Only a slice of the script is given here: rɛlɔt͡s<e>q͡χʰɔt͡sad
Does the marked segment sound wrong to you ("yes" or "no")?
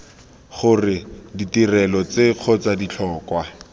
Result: no